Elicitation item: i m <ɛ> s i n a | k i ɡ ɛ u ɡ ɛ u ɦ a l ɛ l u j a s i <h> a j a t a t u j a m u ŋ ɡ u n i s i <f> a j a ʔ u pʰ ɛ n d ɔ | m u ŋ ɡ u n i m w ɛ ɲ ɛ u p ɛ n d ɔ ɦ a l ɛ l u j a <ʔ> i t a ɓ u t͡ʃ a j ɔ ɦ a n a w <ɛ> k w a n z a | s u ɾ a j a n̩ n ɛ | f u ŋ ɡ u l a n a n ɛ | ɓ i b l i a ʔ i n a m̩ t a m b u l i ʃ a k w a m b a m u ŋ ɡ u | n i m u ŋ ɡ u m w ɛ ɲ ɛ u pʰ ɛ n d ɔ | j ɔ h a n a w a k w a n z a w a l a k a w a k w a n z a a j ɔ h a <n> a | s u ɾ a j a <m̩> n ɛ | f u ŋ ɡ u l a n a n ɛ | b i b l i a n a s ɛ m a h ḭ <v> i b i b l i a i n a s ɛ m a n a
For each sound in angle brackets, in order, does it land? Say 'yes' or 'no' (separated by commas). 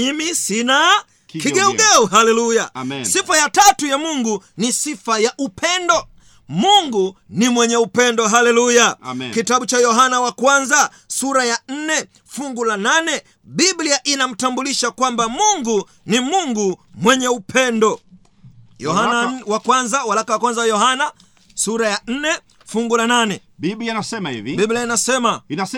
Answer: no, no, yes, no, no, yes, no, yes